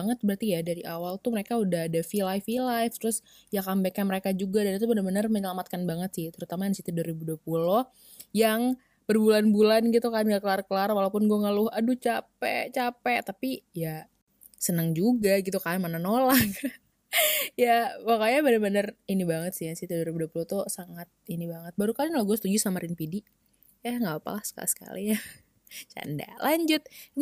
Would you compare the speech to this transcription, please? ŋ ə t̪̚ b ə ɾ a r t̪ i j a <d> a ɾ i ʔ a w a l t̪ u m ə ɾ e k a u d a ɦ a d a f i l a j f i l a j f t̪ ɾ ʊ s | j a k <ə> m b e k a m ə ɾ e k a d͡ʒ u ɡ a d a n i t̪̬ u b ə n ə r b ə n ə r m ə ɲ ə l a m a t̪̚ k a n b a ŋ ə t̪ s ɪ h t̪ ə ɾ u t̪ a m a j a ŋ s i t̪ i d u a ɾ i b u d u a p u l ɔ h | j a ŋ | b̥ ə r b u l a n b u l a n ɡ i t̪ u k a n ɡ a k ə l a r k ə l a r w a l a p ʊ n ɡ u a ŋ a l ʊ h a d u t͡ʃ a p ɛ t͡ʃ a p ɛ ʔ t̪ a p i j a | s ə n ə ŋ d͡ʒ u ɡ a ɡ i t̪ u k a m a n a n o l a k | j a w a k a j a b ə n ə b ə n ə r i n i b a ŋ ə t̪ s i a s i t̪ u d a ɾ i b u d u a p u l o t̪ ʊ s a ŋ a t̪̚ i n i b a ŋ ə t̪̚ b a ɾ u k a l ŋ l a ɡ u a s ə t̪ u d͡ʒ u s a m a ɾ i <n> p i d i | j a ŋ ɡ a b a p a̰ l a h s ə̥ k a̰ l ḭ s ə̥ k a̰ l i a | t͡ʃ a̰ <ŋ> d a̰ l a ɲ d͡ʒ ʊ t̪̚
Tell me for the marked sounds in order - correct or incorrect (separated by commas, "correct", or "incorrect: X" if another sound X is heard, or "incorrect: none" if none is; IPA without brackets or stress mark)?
correct, incorrect: a, correct, incorrect: n